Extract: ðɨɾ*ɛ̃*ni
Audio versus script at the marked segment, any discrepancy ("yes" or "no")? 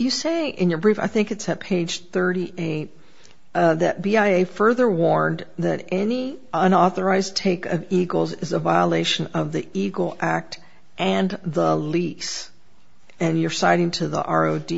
yes